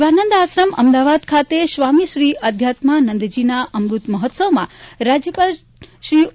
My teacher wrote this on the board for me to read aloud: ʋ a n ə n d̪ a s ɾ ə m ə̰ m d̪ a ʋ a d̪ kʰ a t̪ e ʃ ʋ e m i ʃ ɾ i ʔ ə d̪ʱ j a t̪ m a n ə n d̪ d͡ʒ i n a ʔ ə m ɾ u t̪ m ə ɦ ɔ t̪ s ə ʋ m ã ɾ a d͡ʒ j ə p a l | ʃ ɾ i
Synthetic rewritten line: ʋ a n ə n d̪ a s ɾ ə m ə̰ m d̪ a ʋ a d̪ kʰ a t̪ e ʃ ʋ a m i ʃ ɾ i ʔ ə d̪ʱ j a t̪ m a n ə n d̪ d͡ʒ i n a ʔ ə m ɾ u t̪ m ə ɦ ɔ t̪ s ə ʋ m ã ɾ a d͡ʒ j ə p a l | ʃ ɾ i